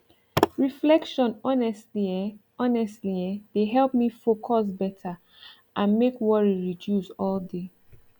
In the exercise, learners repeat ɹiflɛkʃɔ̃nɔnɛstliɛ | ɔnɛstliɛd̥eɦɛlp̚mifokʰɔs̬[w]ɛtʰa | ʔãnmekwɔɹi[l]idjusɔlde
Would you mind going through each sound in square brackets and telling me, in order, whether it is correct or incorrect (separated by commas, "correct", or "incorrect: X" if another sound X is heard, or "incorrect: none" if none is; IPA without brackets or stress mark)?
incorrect: b, incorrect: ɹ